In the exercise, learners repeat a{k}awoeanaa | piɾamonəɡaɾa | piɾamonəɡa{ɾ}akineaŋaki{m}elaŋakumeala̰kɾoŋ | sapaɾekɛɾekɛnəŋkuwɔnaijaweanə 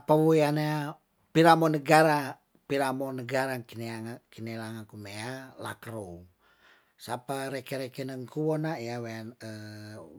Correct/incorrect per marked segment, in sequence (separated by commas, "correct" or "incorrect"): incorrect, correct, incorrect